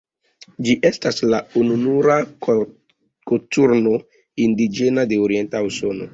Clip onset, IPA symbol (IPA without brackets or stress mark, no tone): d͡ʒ